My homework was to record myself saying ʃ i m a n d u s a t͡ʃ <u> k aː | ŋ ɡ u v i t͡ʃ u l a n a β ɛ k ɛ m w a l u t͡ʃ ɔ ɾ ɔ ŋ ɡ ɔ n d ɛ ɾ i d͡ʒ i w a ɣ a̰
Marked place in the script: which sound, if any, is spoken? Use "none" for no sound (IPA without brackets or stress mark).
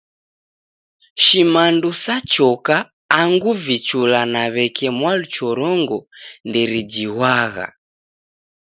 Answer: ɔ